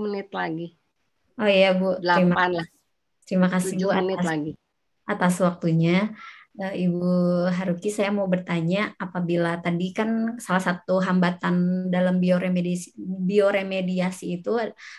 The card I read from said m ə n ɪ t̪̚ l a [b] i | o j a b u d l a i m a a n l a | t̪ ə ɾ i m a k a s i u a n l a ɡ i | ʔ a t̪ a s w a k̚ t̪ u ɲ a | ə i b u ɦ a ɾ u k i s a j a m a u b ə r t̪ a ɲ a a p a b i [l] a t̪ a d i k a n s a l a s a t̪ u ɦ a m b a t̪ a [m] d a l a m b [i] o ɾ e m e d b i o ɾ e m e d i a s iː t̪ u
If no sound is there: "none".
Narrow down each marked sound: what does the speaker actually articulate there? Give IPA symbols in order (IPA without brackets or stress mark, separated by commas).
ɡ, l, n, i